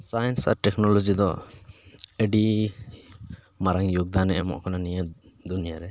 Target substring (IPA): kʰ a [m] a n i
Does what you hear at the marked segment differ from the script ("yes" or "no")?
yes